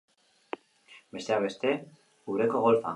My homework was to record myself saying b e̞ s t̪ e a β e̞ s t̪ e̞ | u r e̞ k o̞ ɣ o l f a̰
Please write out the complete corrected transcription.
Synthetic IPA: b e̞ s t̪ e a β e̞ s t̪ e̞ | u ɾ e̞ k o̞ ɣ o l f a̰